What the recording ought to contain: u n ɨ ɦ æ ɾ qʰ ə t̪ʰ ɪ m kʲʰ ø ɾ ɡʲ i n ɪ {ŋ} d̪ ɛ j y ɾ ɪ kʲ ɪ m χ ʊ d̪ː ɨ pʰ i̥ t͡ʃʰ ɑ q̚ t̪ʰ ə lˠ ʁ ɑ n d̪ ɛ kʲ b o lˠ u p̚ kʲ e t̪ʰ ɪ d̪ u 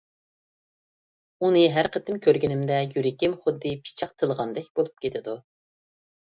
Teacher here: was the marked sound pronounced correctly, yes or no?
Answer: no